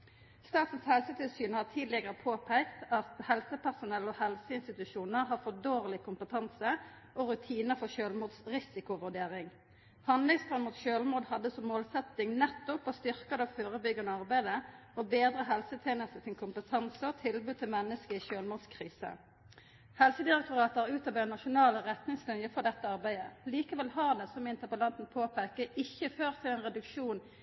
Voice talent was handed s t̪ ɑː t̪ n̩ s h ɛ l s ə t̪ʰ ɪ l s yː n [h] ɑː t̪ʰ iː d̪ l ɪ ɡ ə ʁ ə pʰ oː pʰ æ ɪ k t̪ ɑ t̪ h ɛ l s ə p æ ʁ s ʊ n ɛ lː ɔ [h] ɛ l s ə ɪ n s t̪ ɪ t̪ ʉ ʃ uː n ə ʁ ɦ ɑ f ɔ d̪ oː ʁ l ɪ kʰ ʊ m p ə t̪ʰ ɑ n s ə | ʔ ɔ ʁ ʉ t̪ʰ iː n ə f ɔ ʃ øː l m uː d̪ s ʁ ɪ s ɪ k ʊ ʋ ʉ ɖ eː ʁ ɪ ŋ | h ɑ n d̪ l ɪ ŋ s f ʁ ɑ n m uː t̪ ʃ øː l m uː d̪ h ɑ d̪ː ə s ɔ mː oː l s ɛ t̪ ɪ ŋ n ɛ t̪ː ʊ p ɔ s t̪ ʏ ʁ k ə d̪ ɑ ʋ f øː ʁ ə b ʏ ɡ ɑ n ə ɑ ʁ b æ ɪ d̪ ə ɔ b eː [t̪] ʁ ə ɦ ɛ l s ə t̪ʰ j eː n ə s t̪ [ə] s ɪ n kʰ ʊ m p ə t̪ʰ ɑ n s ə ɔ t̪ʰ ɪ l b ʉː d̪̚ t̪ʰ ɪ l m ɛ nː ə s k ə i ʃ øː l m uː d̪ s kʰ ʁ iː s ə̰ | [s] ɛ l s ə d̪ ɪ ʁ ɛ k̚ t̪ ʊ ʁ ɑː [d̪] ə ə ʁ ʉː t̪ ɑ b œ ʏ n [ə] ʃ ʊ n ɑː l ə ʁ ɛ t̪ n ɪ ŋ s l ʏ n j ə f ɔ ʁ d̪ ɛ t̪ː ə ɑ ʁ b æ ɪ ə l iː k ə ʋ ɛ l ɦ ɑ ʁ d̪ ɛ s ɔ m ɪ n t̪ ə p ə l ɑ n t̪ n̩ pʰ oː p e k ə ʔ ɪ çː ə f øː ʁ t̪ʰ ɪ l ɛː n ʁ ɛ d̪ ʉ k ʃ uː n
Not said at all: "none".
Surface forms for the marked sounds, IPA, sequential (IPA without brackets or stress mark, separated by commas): h, h, d̪, ə, h, t̪, ɑ